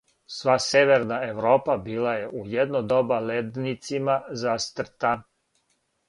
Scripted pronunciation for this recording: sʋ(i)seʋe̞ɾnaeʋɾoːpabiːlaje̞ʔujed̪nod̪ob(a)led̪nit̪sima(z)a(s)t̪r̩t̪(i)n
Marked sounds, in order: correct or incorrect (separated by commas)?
incorrect, correct, correct, correct, incorrect